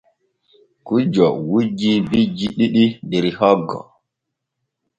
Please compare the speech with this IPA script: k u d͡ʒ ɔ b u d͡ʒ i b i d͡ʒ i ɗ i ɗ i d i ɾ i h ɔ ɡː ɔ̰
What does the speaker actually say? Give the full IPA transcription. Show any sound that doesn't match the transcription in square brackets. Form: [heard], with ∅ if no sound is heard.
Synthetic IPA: k u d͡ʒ ɔ [w] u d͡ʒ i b i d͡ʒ i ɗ i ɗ i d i ɾ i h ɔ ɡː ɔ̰